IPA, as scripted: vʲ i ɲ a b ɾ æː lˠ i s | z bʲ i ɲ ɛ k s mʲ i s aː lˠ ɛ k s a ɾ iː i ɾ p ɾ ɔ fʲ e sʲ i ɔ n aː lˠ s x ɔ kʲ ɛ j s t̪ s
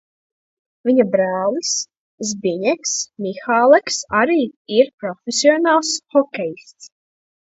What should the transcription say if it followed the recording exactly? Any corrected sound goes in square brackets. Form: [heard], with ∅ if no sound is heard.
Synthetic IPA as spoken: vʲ i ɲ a b ɾ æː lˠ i s | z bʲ i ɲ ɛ k s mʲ i [x] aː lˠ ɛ k s a ɾ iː i ɾ p ɾ ɔ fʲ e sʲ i ɔ n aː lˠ s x ɔ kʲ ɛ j s t̪ s